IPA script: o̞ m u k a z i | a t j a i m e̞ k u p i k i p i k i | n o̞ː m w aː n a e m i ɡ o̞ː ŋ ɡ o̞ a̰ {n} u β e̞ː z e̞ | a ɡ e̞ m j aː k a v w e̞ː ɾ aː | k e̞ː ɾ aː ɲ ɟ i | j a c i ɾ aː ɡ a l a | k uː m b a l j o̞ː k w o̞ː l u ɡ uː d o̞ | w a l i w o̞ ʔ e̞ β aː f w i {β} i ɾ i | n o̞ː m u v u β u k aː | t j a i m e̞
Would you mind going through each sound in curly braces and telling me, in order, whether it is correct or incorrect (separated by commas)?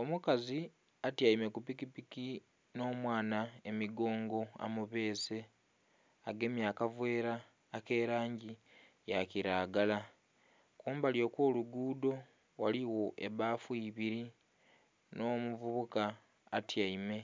incorrect, correct